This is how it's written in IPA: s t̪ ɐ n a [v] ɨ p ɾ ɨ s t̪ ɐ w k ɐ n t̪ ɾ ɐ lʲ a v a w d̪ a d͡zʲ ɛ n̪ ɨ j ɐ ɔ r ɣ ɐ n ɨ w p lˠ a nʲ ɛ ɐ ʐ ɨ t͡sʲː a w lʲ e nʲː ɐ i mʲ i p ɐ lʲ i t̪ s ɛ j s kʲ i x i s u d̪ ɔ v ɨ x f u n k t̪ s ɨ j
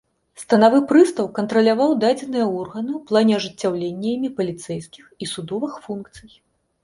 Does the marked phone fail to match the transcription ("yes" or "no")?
no